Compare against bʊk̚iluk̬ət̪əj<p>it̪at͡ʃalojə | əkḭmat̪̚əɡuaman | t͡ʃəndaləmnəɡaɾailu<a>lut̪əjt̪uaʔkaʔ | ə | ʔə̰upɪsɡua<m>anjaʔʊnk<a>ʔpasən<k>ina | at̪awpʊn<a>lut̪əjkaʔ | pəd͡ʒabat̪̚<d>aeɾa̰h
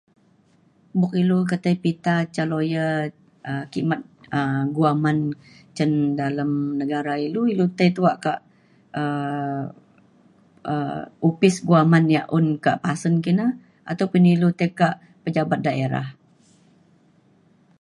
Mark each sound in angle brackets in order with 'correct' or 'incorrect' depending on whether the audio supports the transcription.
correct, incorrect, correct, correct, correct, incorrect, correct

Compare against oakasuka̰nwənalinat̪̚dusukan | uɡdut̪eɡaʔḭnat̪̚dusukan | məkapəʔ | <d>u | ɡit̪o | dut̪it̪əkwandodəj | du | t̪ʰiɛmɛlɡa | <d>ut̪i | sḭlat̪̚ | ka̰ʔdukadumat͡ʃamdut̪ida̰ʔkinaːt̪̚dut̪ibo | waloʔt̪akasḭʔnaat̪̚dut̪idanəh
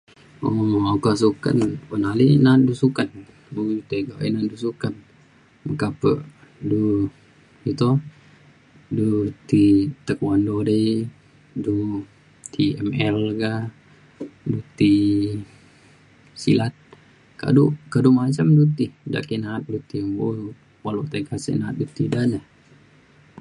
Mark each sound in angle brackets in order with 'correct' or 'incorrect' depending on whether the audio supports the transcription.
correct, correct

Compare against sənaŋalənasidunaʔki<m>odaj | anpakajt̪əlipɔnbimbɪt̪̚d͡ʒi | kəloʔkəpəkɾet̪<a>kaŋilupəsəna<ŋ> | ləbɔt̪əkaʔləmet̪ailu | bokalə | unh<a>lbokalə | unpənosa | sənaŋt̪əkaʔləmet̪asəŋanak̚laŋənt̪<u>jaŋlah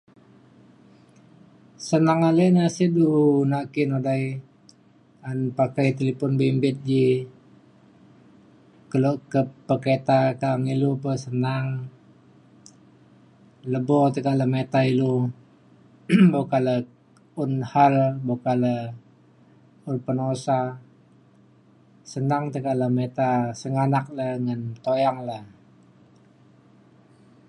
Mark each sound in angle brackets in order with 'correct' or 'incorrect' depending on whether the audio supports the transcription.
incorrect, correct, correct, correct, incorrect

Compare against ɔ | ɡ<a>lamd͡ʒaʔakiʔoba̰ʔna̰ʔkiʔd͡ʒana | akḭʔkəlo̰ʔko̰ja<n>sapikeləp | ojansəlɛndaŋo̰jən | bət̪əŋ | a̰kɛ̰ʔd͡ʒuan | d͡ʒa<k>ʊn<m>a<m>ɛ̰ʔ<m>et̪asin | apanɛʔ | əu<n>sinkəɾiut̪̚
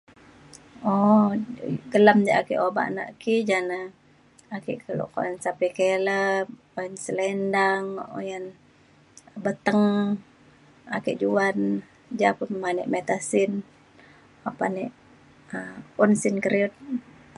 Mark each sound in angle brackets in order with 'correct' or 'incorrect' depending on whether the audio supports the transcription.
incorrect, correct, incorrect, correct, incorrect, correct, correct

